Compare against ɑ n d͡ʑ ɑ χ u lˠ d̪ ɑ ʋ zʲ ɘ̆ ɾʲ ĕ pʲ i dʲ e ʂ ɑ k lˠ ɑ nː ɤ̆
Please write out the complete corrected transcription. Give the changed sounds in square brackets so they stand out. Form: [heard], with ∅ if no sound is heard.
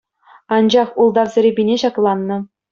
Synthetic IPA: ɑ n d͡ʑ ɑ χ u lˠ d̪ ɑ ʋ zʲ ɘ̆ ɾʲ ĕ [bʲ] i [nʲ] e [ɕ] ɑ k lˠ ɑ nː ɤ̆